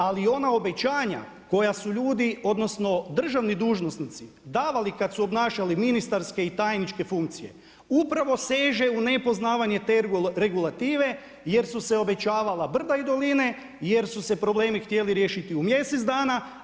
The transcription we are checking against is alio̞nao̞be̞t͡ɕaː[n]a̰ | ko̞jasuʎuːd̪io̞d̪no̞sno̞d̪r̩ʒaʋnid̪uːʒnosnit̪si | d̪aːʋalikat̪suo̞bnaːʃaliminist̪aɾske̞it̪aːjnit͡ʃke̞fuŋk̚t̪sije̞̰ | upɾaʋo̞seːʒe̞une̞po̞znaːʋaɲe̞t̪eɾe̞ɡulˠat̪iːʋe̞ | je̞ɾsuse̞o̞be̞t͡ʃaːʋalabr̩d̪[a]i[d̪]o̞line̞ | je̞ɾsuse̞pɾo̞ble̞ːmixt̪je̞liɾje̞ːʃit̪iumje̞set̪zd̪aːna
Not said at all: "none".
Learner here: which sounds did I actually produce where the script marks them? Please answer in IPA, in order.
ɲ, a, d̪

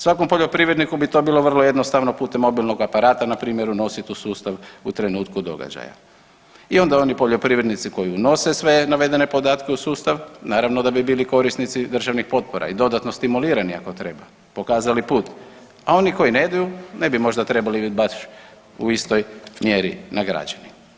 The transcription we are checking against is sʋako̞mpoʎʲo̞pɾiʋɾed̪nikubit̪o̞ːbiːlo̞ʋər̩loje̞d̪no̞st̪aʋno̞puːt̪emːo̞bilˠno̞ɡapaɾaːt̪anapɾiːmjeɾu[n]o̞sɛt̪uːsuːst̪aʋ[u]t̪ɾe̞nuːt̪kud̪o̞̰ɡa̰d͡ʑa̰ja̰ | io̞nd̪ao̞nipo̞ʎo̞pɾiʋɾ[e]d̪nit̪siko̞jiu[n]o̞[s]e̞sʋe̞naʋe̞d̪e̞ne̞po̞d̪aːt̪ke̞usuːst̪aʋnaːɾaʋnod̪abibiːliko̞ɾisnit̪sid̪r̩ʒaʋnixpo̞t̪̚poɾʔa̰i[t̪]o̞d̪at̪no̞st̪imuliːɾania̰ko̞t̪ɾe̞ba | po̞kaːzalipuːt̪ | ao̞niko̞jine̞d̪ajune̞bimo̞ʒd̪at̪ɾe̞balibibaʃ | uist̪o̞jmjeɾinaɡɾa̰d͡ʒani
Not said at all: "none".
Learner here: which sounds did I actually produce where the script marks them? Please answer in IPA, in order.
n, u, e, n, s, d̪

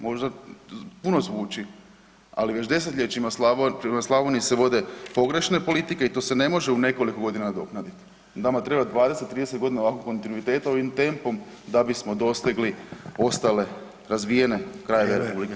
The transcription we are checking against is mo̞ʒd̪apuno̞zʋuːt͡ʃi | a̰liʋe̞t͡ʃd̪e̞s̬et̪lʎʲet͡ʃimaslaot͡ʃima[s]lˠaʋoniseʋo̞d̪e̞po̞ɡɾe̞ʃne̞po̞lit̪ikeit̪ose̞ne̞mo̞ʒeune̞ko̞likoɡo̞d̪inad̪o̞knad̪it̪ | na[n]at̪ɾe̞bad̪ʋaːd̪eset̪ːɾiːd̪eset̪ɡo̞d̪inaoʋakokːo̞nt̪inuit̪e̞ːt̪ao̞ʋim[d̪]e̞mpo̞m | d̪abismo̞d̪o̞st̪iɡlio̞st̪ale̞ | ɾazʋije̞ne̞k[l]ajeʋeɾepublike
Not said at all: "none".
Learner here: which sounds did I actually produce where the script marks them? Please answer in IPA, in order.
s, m, t̪, ɾ

